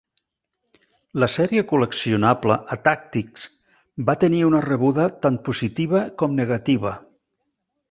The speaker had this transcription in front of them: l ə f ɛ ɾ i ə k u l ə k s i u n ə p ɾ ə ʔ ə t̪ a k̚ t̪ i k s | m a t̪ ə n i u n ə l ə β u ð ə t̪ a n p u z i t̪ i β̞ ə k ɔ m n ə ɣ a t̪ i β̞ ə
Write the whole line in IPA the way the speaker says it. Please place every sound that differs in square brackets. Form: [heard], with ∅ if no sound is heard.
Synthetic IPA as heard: l ə [s] ɛ ɾ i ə k u l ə k s i u n [a] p [l] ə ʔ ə t̪ a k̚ t̪ i k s | [b] a t̪ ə n i u n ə [r] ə β u ð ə t̪ a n p u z i t̪ i β̞ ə k ɔ m n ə ɣ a t̪ i β̞ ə